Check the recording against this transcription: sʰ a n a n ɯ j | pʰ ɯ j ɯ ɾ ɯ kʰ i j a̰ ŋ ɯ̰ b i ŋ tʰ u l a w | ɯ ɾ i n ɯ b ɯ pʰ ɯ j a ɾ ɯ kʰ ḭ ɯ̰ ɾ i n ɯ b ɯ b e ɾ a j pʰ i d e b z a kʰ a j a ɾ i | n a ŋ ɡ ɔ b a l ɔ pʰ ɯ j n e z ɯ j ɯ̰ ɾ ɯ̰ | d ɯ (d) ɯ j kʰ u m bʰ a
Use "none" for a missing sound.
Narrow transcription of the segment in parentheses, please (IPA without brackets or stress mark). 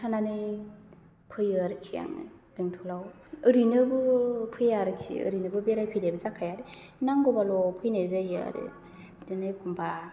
n